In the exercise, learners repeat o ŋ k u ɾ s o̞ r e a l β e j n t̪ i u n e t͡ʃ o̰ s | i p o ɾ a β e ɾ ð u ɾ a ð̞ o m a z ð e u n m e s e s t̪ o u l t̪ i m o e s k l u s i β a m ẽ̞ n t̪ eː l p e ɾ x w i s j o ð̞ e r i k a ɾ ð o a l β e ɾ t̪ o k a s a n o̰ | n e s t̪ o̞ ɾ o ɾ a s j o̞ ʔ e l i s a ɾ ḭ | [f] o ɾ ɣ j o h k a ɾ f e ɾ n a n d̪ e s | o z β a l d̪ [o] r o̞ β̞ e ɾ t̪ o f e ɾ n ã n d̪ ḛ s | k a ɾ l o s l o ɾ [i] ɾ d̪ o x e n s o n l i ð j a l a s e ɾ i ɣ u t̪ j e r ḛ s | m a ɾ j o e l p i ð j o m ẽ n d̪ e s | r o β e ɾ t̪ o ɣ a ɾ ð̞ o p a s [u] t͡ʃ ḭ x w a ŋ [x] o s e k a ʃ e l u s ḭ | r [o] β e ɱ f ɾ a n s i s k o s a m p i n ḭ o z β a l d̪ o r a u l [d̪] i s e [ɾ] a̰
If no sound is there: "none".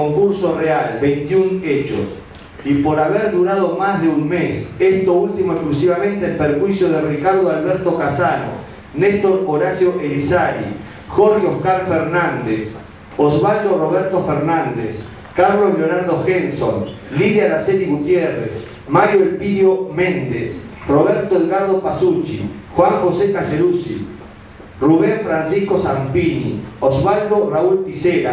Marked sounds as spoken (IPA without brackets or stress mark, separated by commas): x, o, a, u, x, u, t̪, ɾ